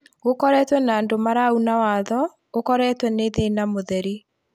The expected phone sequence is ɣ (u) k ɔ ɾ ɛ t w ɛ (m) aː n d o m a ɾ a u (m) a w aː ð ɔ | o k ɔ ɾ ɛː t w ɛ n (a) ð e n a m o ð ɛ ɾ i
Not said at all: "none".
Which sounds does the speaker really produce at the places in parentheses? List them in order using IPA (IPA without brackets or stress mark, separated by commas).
o, n, n, e